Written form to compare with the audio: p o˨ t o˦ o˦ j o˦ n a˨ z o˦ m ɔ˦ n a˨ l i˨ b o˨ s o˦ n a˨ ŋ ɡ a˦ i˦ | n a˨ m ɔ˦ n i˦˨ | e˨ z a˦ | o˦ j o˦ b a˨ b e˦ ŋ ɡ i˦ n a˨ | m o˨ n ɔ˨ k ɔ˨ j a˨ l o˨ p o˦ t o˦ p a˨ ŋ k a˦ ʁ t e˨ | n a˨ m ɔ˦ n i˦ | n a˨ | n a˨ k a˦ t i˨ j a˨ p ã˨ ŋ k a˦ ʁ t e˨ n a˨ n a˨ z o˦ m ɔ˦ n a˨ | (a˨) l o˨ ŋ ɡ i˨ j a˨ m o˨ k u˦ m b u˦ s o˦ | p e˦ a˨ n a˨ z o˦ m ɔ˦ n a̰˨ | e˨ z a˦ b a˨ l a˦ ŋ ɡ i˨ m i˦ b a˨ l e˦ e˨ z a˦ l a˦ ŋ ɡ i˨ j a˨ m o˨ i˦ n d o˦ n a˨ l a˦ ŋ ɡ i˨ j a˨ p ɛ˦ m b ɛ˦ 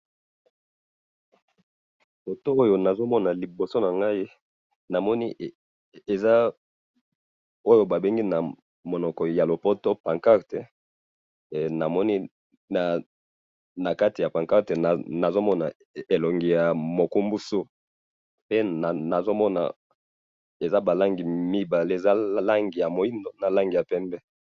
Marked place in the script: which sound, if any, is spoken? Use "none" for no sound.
e˨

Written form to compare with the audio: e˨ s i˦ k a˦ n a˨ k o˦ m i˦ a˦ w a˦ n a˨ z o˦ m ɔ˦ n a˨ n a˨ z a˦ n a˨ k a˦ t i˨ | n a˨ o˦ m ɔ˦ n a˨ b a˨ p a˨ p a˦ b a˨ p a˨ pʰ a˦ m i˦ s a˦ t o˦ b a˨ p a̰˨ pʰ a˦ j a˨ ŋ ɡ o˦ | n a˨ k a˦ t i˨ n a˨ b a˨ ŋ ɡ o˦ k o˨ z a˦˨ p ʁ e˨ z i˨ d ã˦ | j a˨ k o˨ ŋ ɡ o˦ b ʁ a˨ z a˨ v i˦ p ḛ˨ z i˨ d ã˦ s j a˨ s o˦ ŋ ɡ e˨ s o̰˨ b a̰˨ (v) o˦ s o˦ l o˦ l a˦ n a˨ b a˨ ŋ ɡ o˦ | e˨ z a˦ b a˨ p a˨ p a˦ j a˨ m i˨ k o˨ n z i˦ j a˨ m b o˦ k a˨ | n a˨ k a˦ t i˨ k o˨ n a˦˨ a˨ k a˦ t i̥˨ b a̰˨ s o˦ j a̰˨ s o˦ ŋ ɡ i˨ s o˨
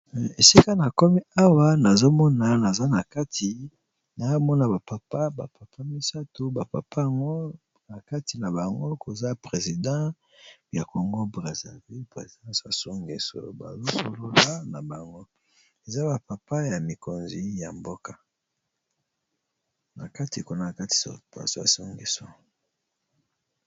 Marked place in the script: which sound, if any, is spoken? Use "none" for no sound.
z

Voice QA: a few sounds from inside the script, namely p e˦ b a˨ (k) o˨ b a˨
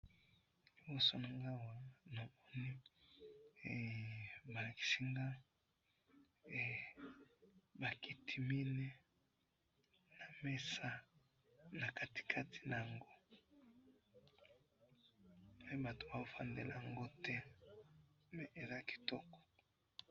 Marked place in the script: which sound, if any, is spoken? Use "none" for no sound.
t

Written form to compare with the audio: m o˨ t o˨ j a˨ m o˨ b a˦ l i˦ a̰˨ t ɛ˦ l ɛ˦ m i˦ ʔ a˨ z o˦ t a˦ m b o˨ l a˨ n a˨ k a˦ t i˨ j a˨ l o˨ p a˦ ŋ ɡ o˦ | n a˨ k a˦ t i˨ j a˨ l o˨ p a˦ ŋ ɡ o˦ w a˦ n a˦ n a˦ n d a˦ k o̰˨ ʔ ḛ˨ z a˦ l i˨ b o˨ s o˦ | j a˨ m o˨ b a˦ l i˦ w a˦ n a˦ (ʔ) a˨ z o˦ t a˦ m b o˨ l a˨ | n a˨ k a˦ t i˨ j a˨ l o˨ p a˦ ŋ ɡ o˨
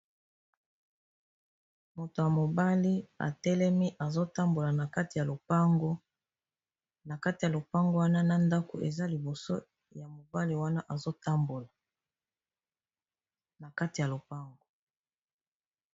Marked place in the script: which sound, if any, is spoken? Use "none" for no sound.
ʔ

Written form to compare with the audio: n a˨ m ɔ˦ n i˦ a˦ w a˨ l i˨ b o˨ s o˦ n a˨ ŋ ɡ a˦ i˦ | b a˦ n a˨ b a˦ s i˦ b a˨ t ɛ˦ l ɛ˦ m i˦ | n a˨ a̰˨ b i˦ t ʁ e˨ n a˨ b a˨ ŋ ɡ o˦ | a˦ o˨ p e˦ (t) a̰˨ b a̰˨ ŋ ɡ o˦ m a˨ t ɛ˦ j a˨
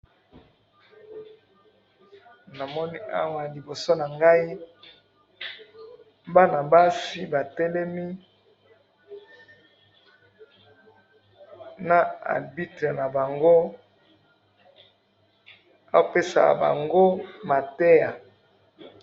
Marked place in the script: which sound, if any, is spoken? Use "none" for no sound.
s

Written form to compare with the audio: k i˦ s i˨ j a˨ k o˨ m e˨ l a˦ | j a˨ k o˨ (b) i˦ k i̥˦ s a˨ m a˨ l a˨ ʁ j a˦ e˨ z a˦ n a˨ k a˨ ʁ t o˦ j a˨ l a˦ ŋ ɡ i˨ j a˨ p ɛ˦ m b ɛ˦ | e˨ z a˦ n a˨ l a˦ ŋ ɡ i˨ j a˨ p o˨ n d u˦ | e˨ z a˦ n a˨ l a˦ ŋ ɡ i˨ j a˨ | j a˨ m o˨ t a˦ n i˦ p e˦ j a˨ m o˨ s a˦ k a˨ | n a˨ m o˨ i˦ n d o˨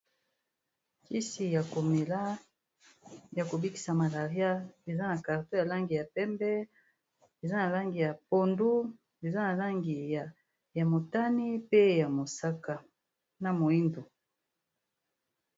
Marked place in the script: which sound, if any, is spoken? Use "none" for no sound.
b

